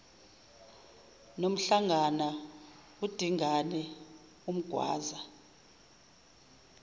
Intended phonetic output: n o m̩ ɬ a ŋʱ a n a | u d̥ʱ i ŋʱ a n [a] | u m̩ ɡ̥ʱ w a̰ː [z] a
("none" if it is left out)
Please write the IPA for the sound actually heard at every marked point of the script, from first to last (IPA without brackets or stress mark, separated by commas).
ɛ, z